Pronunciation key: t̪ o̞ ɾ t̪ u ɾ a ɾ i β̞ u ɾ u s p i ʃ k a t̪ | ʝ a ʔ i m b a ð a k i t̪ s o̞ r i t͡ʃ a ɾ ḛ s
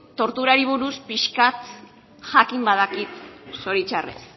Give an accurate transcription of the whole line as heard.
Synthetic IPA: t̪ o̞ ɾ t̪ u ɾ a ɾ i β̞ u ɾ u s p i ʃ k a t̪ | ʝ a k i m b a ð a k i t̪ s o̞ ɾ i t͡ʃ a r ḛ s